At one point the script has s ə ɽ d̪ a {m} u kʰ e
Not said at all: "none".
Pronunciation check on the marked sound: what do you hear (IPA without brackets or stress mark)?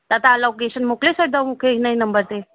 m